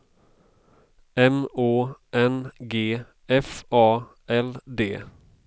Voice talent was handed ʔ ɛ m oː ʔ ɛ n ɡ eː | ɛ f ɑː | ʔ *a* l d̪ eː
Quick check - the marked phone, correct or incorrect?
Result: incorrect